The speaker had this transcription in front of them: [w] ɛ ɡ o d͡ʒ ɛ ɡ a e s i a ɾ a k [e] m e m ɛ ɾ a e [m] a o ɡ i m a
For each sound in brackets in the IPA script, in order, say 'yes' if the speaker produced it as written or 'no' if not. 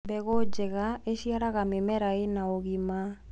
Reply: no, no, no

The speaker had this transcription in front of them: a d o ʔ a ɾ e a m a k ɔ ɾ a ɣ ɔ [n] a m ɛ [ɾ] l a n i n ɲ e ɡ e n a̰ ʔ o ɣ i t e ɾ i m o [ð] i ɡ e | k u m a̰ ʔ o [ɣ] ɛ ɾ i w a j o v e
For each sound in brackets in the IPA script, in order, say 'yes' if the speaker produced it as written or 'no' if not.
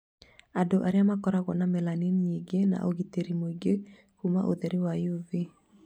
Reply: yes, no, no, no

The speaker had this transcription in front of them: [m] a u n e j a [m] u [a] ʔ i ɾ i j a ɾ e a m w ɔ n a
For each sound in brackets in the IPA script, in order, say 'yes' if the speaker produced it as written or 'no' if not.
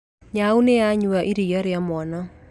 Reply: no, no, yes

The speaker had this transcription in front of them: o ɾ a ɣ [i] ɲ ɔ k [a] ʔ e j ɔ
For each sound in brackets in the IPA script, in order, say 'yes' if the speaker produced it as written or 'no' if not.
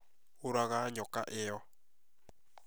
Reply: no, yes

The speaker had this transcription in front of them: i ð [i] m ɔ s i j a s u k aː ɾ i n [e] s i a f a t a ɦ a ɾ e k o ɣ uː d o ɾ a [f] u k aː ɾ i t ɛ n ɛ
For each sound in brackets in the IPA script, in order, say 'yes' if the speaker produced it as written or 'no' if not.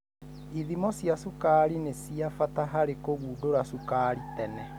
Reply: yes, yes, no

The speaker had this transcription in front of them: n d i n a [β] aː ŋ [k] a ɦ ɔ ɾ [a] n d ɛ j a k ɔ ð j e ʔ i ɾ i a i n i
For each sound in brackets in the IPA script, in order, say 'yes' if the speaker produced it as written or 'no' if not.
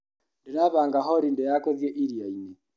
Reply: yes, no, no

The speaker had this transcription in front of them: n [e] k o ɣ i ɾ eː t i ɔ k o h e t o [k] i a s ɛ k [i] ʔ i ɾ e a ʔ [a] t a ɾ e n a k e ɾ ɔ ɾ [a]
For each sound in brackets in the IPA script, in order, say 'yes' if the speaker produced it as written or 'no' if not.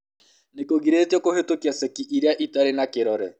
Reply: yes, yes, yes, no, no

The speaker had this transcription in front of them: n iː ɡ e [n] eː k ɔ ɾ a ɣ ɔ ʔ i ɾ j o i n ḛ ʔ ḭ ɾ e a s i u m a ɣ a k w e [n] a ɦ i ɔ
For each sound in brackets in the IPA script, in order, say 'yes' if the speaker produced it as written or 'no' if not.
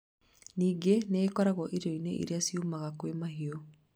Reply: yes, no

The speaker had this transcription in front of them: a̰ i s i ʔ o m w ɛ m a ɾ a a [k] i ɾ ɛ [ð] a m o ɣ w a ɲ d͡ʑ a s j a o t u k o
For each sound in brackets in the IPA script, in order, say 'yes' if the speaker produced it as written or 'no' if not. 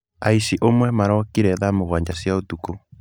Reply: yes, yes

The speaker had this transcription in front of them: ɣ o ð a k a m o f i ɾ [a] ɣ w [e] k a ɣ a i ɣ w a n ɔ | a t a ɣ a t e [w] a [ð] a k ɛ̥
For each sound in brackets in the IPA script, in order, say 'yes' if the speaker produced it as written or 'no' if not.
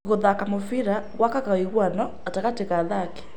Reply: yes, no, no, yes

